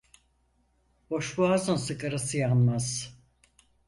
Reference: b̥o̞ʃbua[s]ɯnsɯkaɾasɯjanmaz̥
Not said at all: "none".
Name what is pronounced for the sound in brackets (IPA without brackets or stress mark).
z